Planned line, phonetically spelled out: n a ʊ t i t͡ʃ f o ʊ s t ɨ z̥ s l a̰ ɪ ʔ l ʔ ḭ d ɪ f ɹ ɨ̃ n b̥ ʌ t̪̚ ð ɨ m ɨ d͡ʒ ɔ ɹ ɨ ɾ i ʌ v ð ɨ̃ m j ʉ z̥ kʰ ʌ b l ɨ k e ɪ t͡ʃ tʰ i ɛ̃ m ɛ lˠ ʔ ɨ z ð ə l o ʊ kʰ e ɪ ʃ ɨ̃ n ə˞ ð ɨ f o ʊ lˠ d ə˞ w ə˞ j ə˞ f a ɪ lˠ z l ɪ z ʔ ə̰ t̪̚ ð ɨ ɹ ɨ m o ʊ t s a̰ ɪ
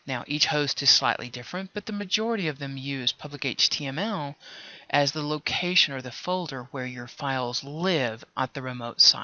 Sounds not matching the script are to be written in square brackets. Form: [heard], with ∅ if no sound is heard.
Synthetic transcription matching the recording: n a ʊ [ʔ] i t͡ʃ [h] o ʊ s t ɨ z̥ s l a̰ ɪ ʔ l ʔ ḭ d ɪ f ɹ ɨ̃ n b̥ ʌ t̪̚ ð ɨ m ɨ d͡ʒ ɔ ɹ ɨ ɾ i ʌ v ð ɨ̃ m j ʉ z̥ [pʰ] ʌ b l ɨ k e ɪ t͡ʃ tʰ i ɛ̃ m ɛ lˠ ʔ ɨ z ð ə l o ʊ kʰ e ɪ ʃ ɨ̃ n ə˞ ð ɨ f o ʊ lˠ d ə˞ w ə˞ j ə˞ f a ɪ lˠ z l ɪ [v] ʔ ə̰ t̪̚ ð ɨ ɹ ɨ m o ʊ t s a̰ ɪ